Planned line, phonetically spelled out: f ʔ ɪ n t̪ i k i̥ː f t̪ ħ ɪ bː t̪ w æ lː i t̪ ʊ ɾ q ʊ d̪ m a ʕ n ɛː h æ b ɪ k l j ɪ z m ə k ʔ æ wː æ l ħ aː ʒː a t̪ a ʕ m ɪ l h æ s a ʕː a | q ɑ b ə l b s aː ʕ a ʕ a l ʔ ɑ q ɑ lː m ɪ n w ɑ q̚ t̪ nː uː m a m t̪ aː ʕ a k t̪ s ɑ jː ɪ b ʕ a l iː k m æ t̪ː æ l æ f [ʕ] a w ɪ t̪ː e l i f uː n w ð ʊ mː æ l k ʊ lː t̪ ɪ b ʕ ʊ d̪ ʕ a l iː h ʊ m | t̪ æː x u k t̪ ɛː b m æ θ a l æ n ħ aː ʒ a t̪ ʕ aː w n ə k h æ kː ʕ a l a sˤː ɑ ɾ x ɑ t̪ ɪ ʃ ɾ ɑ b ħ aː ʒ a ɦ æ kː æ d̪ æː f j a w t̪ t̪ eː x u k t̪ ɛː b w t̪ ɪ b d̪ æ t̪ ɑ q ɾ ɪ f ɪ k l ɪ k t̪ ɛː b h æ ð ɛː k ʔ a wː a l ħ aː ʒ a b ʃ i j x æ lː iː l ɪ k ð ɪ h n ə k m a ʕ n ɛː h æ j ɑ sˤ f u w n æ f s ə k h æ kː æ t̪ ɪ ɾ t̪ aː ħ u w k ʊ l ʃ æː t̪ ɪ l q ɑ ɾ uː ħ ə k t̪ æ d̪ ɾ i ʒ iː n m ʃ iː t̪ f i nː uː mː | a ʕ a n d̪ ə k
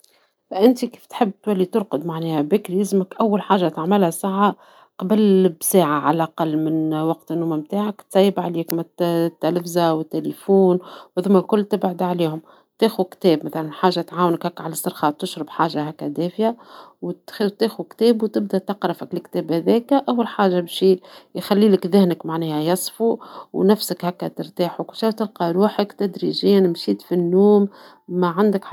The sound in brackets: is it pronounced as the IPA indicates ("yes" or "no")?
no